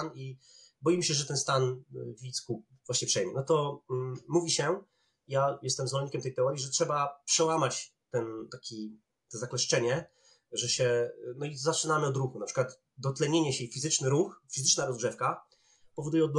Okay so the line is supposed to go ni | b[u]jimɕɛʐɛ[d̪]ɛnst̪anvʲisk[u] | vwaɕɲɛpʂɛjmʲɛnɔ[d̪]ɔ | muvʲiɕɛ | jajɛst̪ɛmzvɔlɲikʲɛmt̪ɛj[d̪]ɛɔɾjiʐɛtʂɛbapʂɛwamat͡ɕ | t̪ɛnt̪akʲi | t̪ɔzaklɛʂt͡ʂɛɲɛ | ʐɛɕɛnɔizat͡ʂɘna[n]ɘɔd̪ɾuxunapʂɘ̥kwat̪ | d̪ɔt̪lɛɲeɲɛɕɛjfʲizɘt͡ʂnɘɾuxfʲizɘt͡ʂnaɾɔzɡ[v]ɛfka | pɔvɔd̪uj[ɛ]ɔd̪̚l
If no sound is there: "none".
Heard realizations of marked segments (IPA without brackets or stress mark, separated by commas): ɔ, t̪, u, t̪, t̪, m, ʐ, ɛ